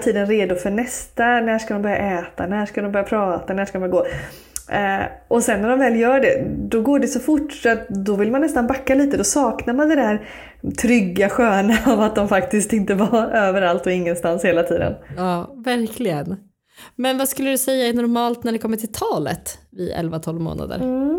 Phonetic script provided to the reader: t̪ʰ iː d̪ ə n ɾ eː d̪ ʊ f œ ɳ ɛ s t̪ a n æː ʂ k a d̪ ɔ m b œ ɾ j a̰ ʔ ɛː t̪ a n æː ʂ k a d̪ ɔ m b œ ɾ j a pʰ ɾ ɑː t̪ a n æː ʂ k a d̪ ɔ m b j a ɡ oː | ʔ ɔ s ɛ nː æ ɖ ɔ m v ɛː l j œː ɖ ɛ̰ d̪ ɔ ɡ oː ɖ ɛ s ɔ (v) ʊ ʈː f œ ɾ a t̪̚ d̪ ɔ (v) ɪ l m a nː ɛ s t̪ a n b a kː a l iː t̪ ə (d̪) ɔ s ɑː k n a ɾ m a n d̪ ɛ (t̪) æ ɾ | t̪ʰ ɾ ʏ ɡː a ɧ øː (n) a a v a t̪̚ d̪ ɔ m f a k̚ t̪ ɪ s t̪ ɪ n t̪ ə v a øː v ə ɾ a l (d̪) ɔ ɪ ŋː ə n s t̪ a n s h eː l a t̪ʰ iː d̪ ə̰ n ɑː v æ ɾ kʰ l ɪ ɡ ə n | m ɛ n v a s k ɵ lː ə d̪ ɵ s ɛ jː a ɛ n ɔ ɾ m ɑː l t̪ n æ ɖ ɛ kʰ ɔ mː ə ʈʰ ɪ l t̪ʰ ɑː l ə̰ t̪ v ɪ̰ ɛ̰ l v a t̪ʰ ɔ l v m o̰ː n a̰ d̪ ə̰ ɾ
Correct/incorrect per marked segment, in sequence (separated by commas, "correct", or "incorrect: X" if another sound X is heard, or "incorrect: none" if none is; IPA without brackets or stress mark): incorrect: f, correct, correct, incorrect: d̪, correct, incorrect: t̪